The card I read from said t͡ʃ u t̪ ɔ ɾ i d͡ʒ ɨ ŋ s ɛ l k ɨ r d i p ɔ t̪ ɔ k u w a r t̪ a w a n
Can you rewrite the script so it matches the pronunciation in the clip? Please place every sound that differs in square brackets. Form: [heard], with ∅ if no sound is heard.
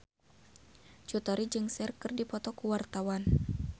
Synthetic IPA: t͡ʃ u t̪ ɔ ɾ i d͡ʒ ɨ ŋ s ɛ [r] k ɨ r d i p ɔ t̪ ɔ k u w a r t̪ a w a n

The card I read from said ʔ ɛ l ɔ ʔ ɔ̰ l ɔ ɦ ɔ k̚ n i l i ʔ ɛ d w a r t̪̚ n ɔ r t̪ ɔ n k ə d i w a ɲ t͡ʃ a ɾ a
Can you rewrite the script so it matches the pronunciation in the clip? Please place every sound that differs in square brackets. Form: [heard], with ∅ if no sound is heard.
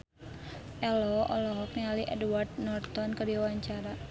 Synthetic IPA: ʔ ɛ l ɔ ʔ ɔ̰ l ɔ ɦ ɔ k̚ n [a] l i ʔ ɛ d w a r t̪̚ n ɔ r t̪ ɔ n k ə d i w a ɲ t͡ʃ a ɾ a

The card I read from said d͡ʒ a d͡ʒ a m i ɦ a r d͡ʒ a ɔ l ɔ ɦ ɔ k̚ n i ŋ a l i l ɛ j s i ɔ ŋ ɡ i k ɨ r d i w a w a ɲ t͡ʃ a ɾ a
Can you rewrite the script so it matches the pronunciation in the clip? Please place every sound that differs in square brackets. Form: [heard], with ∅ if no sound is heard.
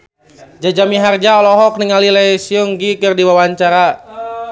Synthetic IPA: d͡ʒ a d͡ʒ a m i ɦ a r d͡ʒ a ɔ l ɔ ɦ ɔ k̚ n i ŋ a l i l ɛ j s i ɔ ŋ ɡ i k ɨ r d i w a w a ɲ t͡ʃ a ɾ a

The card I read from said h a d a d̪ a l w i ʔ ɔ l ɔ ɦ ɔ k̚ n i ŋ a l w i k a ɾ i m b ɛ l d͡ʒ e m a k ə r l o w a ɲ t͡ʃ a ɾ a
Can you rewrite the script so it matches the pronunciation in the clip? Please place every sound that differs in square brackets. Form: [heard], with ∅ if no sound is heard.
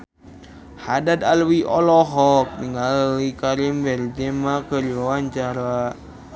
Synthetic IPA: h a d a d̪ a l w i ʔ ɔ l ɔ ɦ ɔ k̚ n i ŋ a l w i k a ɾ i m b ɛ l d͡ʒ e m a k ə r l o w a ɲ t͡ʃ a ɾ a

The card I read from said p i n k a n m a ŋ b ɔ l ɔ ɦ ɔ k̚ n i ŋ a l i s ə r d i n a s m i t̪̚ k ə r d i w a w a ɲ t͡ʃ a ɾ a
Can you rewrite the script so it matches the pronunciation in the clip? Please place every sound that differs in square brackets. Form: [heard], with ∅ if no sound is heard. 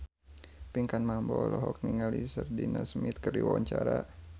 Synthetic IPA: p i [ŋ] k a n m a [m] b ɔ l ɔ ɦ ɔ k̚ n i ŋ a l i s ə r d i n a s m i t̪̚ k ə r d i w a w a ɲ t͡ʃ a ɾ a

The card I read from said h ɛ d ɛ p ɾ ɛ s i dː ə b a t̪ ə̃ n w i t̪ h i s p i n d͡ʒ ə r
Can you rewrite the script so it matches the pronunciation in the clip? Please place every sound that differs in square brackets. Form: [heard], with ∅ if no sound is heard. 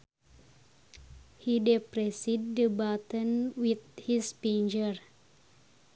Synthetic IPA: h [i] d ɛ p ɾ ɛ s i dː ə b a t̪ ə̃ n w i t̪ h i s p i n d͡ʒ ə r

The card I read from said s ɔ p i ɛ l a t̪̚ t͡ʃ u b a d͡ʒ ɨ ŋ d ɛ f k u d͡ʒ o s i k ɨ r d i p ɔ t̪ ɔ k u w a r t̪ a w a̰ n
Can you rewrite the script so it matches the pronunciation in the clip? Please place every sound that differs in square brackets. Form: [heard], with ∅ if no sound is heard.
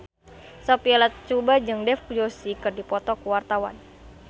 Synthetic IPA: s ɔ p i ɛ l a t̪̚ t͡ʃ u b a d͡ʒ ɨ ŋ d ɛ f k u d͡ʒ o s i k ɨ r d i p ɔ t̪ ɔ k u w a r t̪ a w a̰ n

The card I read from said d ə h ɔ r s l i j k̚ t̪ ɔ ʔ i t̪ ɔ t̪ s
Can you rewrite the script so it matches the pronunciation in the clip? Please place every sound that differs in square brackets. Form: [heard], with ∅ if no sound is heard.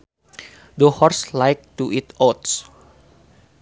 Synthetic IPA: d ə h ɔ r s l [a] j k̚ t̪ [u] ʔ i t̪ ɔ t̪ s

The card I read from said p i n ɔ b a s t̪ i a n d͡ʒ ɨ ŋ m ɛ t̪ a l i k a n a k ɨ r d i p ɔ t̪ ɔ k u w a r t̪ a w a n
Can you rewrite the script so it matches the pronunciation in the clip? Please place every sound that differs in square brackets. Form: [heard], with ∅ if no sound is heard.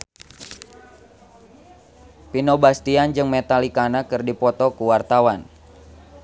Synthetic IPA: p i n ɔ b a s t̪ i a n d͡ʒ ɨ ŋ m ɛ t̪ a l i k a n a k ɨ r d i p ɔ t̪ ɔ k u w a r t̪ a w a n

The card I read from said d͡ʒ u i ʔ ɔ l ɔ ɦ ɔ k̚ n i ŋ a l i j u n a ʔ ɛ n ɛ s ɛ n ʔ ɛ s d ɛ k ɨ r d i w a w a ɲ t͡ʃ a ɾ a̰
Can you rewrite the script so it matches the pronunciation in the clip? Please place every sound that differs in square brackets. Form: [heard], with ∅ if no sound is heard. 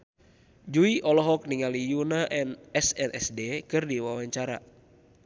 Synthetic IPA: d͡ʒ u i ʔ ɔ l ɔ ɦ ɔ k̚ n i ŋ a l i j u n a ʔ ɛ n ɛ s ɛ n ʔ ɛ s d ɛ k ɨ r d i w a w a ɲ t͡ʃ a ɾ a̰

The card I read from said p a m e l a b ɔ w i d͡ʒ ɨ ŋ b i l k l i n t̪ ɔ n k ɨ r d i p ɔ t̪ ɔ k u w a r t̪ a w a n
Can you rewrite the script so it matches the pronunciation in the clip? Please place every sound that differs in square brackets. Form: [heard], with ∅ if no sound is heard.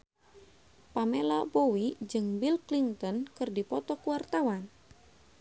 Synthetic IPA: p a m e l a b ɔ w i d͡ʒ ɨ ŋ b i l k l i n t̪ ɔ n k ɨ r d i p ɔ t̪ ɔ k u w a r t̪ a w a n

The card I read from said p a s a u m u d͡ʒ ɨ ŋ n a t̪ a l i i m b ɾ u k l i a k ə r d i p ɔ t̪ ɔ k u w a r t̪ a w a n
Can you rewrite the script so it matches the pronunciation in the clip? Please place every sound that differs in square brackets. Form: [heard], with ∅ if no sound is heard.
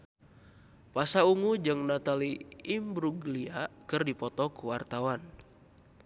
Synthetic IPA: p a s a u [ŋ] u d͡ʒ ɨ ŋ n a t̪ a l i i m b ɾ u [ɡ] l i a k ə r d i p ɔ t̪ ɔ k u w a r t̪ a w a n

